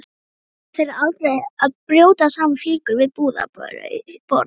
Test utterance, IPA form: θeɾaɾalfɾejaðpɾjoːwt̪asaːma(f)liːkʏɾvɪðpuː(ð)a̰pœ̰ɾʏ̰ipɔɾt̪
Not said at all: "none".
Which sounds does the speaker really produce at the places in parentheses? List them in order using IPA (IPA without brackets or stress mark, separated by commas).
f, ð